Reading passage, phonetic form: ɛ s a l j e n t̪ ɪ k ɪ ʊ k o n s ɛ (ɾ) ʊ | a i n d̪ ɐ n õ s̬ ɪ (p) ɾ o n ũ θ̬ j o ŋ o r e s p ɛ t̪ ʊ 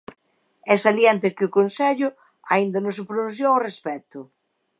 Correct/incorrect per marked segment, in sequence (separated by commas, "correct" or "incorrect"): incorrect, correct